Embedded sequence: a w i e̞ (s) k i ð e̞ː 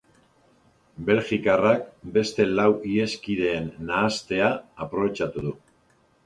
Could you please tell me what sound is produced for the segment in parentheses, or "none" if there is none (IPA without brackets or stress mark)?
s